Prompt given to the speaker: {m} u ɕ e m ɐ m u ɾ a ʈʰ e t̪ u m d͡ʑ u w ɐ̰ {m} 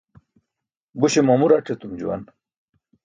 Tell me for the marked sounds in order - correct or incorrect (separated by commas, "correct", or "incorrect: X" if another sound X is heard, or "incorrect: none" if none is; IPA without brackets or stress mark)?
incorrect: b, incorrect: n